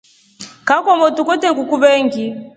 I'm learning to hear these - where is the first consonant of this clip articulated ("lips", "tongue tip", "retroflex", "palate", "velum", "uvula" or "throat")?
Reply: velum